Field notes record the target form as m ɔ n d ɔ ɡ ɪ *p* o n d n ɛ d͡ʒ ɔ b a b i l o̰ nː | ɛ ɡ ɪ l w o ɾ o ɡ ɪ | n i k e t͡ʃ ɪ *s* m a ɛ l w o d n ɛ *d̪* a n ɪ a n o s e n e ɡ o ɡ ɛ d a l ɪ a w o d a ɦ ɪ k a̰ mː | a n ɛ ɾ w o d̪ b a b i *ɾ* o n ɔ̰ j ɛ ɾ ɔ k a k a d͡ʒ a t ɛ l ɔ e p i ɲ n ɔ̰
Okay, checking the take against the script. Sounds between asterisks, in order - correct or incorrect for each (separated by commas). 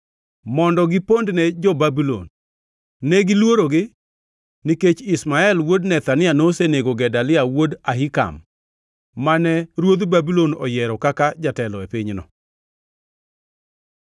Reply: correct, correct, incorrect, incorrect